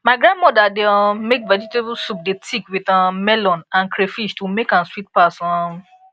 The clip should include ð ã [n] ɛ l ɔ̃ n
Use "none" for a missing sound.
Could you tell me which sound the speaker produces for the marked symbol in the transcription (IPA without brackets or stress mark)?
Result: m